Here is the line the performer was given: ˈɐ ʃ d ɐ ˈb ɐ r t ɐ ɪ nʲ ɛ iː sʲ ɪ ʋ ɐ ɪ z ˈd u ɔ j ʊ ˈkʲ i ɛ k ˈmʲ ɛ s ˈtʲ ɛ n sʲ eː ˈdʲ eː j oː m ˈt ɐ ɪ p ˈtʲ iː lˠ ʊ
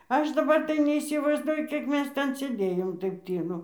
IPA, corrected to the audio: ˈɐ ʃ d ɐ ˈb ɐ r t ɐ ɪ nʲ ɛ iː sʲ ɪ ʋ ɐ ɪ z ˈd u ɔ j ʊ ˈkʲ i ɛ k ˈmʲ ɛ s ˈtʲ ɛ n sʲ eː ˈdʲ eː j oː m ˈt ɐ ɪ p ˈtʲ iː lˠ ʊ